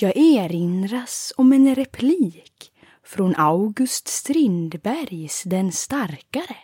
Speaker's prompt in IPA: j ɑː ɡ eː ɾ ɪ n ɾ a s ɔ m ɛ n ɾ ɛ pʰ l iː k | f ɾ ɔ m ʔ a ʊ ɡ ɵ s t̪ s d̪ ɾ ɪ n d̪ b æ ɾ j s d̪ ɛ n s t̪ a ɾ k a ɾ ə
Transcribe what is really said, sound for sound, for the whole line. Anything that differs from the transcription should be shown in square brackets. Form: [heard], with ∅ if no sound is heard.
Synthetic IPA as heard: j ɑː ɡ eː ɾ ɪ n ɾ a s ɔ m ɛ n ɾ ɛ pʰ l iː k | f ɾ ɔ [n] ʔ a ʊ ɡ ɵ s t̪ s [t̪] ɾ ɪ n d̪ b æ ɾ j s d̪ ɛ n s t̪ a ɾ k a ɾ ə